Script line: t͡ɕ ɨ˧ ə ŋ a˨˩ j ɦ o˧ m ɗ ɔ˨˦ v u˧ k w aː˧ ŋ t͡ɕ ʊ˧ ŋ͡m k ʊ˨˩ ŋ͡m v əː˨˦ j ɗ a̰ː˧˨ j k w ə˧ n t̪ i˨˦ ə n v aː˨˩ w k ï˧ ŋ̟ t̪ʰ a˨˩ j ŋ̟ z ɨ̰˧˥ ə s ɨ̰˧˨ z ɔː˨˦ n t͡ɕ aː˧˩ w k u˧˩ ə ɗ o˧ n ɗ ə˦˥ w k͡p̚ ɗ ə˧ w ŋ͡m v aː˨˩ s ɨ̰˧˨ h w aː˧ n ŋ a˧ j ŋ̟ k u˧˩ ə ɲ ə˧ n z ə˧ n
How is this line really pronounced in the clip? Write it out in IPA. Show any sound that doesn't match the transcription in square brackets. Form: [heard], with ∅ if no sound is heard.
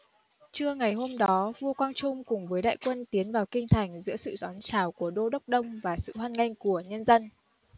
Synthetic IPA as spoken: t͡ɕ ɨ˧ ə ŋ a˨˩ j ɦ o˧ m ɗ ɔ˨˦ v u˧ k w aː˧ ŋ t͡ɕ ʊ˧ ŋ͡m k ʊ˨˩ ŋ͡m v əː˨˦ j ɗ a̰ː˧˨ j k w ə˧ n t̪ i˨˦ ə n v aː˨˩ w k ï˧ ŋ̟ t̪ʰ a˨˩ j ŋ̟ z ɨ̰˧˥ ə s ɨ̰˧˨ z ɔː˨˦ n t͡ɕ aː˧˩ w k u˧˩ ə ɗ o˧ [∅] ɗ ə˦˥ w k͡p̚ ɗ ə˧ w ŋ͡m v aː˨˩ s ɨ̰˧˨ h w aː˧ n ŋ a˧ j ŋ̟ k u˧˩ ə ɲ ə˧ n z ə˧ n